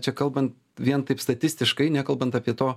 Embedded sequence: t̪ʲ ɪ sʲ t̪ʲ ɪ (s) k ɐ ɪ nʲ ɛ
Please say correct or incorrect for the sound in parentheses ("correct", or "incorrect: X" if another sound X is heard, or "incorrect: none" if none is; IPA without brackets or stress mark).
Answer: incorrect: ʃ